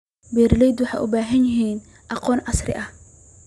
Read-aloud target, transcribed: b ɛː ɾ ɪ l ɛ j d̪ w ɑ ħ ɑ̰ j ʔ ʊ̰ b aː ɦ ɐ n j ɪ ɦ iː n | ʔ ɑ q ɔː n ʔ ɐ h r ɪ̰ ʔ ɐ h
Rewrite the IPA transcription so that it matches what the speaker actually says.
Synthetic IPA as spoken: b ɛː ɾ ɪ l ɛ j d̪ w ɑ ħ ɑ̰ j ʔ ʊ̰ b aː ɦ ɐ n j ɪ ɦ iː n | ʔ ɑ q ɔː n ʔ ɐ s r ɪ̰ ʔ ɐ h

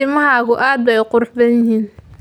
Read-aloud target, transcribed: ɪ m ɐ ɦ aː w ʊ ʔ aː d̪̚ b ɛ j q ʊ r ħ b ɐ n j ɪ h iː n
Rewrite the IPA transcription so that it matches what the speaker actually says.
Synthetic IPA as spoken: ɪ m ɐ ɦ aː ɣ ʊ ʔ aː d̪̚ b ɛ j q ʊ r ħ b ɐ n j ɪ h iː n

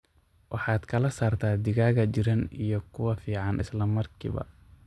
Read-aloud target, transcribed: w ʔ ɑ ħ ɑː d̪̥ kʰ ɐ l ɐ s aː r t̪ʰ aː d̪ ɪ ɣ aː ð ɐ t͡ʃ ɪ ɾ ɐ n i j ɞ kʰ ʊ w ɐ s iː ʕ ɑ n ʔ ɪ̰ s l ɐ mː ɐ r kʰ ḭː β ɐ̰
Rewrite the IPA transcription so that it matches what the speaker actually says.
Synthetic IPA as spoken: w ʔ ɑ ħ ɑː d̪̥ kʰ ɐ l ɐ s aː r t̪ʰ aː d̪ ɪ ɣ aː ɣ ɐ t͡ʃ ɪ ɾ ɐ n i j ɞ kʰ ʊ w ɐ f iː ʕ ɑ n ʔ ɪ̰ s l ɐ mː ɐ r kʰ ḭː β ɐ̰

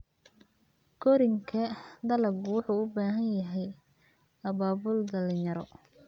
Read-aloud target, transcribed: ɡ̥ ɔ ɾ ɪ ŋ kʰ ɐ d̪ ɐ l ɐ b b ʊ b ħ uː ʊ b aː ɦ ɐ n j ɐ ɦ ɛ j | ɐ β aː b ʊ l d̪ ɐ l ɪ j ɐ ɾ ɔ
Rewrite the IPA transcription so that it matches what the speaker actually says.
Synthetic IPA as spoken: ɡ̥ ɔ ɾ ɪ ŋ kʰ ɐ d̪ ɐ l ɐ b w ʊ ħ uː ʊ b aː ɦ ɐ n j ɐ ɦ ɛ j | ɐ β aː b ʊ l d̪ ɐ l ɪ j ɐ ɾ ɔ

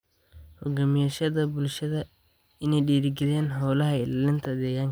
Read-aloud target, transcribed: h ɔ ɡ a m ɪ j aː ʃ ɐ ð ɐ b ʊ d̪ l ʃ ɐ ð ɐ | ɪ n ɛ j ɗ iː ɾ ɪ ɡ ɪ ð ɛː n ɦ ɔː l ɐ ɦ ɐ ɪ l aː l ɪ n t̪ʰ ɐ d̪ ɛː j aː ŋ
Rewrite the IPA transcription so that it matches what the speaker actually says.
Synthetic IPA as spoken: h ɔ ɡ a m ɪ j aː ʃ ɐ ð ɐ b ʊ l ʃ ɐ ð ɐ | ɪ n ɛ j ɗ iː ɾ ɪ ɡ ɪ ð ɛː n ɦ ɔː l ɐ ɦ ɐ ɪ l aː l ɪ n t̪ʰ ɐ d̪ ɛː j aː ŋ

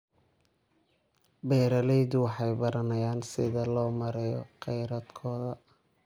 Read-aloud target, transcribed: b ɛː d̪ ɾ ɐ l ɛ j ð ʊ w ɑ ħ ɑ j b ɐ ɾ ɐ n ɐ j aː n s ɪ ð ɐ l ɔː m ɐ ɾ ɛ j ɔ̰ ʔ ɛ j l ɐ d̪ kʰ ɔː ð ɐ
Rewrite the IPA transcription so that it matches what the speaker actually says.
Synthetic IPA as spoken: b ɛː ɾ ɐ l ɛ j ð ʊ w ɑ ħ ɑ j b ɐ ɾ ɐ n ɐ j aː n s ɪ ð ɐ l ɔː m ɐ ɾ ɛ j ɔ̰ q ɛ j ɾ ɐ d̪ kʰ ɔː ð ɐ

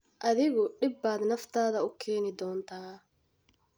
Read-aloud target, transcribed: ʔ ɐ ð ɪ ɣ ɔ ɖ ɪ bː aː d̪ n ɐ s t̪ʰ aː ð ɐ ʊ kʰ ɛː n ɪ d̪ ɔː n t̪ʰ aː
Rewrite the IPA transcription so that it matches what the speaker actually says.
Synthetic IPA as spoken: ʔ ɐ ð ɪ ɣ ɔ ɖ ɪ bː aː d̪ n ɐ f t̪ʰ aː ð ɐ ʊ kʰ ɛː n ɪ d̪ ɔː n t̪ʰ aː

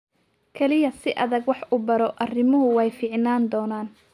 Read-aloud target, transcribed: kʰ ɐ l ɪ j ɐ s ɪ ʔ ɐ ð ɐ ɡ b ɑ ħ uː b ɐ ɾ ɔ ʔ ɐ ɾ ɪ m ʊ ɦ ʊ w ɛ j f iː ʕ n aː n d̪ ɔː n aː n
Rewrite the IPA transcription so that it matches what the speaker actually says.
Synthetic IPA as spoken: kʰ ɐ l ɪ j ɐ s ɪ ʔ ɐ ð ɐ ɡ w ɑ ħ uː b ɐ ɾ ɔ ʔ ɐ r ɪ m ʊ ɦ ʊ w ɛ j f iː ʕ n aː n d̪ ɔː n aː n

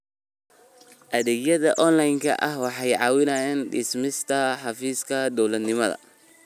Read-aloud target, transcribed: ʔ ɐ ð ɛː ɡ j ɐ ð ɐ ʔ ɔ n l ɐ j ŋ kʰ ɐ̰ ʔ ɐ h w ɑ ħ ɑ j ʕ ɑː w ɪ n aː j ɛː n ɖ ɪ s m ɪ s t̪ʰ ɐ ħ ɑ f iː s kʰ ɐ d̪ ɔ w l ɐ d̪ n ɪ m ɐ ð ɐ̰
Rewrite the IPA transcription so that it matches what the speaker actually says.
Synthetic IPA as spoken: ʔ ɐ ð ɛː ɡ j ɐ ð ɐ ʔ ɔ n l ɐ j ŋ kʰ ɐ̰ ʔ ɐ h w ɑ ħ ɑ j ʕ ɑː w ɪ n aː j ɛː n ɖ ɪ s m ɪ s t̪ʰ ɐ ħ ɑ f iː s kʰ ɐ d̪ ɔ w l ɐ d̪ n ɪ m ɐ ð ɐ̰

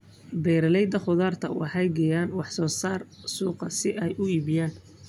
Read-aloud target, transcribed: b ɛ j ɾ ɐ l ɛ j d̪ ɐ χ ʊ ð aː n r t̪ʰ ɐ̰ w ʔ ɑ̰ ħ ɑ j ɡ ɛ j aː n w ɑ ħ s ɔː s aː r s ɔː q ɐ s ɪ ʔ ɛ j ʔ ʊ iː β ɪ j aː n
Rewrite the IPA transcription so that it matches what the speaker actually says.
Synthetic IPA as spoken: b ɛ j ɾ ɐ l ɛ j d̪ ɐ χ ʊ ð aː r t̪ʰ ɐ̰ w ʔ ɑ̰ ħ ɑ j ɡ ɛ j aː n w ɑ ħ s ɔː s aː r s uː q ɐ s ɪ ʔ ɛ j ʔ ʊ iː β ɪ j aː n

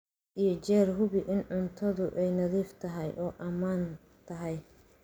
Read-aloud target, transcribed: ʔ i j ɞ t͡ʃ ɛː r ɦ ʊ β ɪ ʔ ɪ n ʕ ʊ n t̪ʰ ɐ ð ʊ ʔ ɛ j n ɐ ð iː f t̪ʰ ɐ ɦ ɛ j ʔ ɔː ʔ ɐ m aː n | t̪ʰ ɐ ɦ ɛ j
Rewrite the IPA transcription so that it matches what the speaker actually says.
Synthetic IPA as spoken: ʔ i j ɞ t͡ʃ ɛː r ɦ ʊ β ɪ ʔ ɪ n ʕ ʊ n t̪ʰ ɐ ð ʊ ʔ ɛ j n ɐ ð iː f t̪ʰ ɐ ɦ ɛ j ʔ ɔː ʔ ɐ m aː n | t̪ʰ ɐ ɦ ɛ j

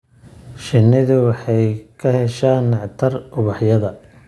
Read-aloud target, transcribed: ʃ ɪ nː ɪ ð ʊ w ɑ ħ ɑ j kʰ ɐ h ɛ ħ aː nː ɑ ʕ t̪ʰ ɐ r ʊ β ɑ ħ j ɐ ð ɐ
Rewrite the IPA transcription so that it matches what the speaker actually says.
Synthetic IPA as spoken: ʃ ɪ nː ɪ ð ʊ w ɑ ħ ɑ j kʰ ɐ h ɛ ʃ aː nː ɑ ʕ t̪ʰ ɐ r ʊ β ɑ ħ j ɐ ð ɐ

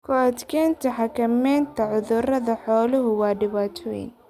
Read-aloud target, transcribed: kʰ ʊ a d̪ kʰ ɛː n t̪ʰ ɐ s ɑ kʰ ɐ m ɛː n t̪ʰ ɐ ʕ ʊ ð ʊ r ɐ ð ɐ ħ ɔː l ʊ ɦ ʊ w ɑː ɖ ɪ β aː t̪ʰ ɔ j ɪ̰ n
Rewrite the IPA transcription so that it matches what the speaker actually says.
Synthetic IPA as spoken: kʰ ʊ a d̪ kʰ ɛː n t̪ʰ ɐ ħ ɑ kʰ ɐ m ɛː n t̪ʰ ɐ ʕ ʊ ð ʊ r ɐ ð ɐ ħ ɔː l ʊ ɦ ʊ w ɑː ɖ ɪ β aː t̪ʰ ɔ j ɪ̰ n

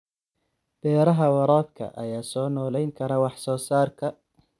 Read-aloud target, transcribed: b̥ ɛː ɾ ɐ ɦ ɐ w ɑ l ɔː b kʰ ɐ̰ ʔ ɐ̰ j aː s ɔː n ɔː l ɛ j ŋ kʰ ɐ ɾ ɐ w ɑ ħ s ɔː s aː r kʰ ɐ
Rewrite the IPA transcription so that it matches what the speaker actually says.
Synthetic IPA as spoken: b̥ ɛː ɾ ɐ ɦ ɐ w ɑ ɾ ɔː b kʰ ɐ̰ ʔ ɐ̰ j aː s ɔː n ɔː l ɛ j ŋ kʰ ɐ ɾ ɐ w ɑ ħ s ɔː s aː r kʰ ɐ

